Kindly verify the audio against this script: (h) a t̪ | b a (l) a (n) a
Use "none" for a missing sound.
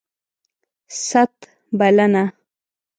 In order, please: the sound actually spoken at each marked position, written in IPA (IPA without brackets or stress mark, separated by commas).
s, l, n